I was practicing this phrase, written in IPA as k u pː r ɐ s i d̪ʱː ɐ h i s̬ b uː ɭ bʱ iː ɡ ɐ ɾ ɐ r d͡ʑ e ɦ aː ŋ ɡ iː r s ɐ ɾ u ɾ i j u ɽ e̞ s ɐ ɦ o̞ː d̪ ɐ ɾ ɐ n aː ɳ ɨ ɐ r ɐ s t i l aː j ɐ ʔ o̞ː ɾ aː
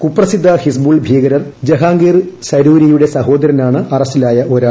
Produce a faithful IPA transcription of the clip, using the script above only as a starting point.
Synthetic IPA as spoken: k u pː r ɐ s i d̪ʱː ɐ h i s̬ b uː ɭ bʱ iː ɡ ɐ ɾ ɐ r d͡ʑ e ɦ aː ŋ ɡ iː r s ɐ ɾ uː ɾ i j u ɽ e̞ s ɐ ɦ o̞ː d̪ ɐ ɾ ɐ n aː ɳ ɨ ɐ r ɐ s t i l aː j ɐ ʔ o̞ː ɾ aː